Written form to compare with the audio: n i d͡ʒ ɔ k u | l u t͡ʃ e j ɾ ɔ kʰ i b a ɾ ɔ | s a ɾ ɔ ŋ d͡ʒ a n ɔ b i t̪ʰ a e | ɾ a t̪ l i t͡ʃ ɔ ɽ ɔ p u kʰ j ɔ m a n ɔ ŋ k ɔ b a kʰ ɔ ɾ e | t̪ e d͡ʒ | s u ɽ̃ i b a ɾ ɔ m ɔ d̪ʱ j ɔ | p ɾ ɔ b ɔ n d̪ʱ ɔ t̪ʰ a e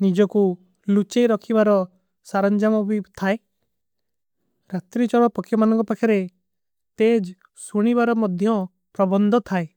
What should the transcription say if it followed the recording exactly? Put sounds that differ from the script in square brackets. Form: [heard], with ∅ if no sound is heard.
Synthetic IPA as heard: n i d͡ʒ ɔ k u | l u t͡ʃ e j ɾ ɔ kʰ i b a ɾ ɔ | s a ɾ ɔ [n] d͡ʒ a [m] ɔ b i t̪ʰ a e | ɾ a t̪ [ɾ] i t͡ʃ ɔ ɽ ɔ p [ɔ] kʰ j ɔ m a n ɔ ŋ k ɔ [p] a kʰ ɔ ɾ e | t̪ e d͡ʒ | s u ɽ̃ i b a ɾ ɔ m ɔ d̪ʱ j ɔ | p ɾ ɔ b ɔ n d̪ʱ ɔ t̪ʰ a e